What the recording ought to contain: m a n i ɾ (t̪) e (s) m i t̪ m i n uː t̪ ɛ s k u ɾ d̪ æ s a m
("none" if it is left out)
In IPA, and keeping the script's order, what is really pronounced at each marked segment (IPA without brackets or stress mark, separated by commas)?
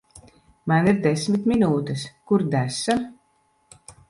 d̪, s